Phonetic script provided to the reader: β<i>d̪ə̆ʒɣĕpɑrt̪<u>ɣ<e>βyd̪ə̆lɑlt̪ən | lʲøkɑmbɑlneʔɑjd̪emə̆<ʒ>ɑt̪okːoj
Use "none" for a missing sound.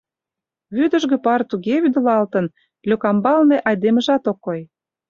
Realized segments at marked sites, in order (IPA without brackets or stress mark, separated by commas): y, u, e, ʒ